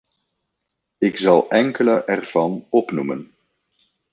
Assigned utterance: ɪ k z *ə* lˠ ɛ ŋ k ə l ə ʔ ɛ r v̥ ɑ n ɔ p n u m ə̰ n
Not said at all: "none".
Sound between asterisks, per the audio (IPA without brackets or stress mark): ɑ